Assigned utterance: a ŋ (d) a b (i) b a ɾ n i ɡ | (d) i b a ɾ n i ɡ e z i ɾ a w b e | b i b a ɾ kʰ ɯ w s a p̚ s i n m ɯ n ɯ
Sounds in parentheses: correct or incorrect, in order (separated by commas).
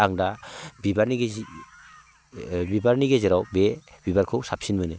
correct, correct, incorrect